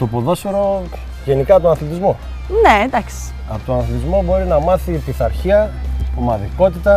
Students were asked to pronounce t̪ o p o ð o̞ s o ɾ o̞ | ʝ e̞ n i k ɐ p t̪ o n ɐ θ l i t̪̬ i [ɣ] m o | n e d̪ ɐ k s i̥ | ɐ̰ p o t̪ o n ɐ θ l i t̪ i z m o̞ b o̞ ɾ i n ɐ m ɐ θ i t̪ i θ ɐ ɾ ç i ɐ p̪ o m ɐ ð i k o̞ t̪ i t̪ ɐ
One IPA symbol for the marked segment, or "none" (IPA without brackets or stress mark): z